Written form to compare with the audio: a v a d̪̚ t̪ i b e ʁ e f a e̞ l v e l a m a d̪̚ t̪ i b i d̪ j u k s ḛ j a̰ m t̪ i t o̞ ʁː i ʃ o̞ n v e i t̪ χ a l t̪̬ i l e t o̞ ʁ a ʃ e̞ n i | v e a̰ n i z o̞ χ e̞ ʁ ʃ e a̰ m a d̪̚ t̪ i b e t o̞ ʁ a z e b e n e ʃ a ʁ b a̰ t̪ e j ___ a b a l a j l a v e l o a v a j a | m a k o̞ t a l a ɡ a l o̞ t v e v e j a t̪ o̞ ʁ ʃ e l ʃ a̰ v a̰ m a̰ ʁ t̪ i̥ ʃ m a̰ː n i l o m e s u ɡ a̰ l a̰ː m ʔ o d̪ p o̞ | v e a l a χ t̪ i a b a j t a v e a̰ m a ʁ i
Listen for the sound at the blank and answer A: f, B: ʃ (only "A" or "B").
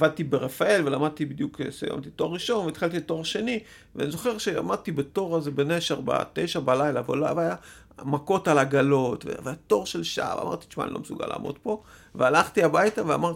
B